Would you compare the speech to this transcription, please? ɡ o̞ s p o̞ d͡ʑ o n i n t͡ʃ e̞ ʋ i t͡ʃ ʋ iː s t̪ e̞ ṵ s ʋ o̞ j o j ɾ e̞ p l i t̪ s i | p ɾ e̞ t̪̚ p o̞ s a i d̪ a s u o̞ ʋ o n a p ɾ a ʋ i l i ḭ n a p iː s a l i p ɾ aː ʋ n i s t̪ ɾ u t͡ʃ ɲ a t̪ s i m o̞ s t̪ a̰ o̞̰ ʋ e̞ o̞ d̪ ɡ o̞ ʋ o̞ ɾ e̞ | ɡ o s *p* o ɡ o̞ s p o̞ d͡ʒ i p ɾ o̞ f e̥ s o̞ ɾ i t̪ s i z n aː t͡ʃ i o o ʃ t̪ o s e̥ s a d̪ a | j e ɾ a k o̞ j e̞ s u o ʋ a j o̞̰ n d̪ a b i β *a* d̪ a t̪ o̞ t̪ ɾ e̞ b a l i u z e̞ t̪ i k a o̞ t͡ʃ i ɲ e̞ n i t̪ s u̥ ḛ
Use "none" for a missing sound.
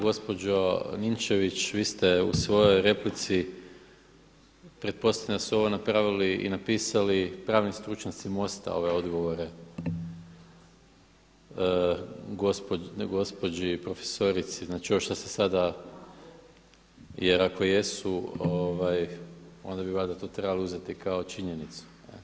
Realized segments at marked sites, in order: p, a

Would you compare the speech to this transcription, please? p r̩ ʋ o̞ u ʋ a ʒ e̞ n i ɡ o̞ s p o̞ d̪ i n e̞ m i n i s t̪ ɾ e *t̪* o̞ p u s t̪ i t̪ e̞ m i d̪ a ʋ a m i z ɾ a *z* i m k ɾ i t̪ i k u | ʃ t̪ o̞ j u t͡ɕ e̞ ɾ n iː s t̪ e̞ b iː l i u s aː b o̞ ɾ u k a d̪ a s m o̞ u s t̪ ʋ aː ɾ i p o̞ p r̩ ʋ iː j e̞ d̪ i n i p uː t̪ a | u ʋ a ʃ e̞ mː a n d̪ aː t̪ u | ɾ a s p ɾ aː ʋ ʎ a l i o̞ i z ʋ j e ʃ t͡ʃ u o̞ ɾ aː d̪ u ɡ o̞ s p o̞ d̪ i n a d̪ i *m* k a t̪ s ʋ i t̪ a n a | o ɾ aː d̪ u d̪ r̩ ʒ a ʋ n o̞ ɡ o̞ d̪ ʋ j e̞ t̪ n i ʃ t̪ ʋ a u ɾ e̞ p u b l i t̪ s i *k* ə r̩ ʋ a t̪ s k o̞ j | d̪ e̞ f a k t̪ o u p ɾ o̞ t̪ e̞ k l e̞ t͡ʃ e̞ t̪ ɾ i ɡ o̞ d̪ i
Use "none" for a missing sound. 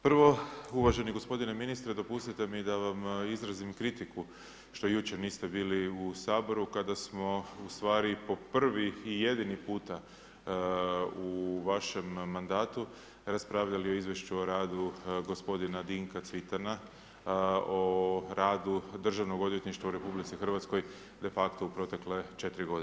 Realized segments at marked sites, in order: d̪, z, ŋ, x

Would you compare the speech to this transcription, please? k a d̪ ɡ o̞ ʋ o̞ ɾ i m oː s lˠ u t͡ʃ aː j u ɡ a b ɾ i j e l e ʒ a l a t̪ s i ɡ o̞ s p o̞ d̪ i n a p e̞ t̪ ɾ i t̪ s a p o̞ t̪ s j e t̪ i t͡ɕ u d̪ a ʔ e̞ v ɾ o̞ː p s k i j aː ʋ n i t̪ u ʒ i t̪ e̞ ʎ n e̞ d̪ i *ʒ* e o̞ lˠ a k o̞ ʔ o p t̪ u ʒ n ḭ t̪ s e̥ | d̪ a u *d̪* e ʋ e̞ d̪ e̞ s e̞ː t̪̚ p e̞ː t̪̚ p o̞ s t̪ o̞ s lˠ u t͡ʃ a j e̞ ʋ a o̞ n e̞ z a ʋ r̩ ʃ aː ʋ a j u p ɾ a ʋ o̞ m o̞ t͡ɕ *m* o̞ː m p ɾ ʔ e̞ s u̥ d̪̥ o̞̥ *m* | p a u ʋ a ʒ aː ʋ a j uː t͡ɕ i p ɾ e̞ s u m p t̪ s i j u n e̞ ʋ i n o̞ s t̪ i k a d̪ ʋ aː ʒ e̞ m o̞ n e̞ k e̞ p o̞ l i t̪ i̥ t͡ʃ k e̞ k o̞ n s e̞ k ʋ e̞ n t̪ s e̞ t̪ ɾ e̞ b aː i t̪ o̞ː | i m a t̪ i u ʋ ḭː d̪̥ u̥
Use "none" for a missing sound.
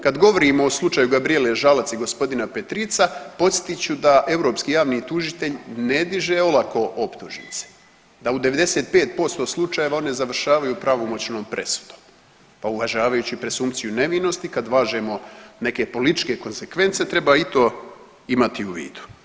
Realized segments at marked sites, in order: ʒ, d̪, n, m

